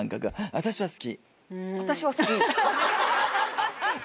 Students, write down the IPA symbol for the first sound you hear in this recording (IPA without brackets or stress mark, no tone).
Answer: ŋ